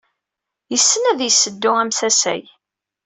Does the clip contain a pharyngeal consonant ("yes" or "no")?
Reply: no